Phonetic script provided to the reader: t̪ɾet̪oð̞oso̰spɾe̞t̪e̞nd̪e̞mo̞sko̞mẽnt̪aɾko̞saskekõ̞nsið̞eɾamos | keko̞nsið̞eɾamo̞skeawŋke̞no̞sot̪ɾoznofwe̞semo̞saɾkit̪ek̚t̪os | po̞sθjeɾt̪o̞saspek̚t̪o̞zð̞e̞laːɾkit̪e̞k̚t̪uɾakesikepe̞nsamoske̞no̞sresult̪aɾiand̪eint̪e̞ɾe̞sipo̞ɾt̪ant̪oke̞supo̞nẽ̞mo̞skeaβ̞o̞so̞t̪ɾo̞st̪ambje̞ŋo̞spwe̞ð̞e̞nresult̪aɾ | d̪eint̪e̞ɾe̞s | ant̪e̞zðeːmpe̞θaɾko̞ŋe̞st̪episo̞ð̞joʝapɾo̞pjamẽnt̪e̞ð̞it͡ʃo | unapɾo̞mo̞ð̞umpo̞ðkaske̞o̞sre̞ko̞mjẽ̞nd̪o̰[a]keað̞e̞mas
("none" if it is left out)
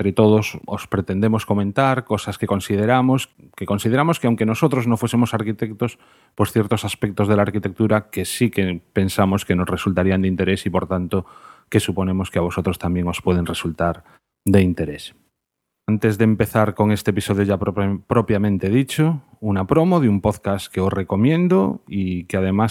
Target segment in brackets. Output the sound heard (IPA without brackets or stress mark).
i